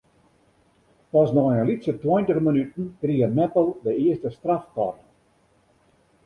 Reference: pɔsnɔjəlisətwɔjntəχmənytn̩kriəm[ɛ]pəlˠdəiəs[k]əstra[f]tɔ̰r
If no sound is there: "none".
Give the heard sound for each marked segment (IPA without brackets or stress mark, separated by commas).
ɛ, t, f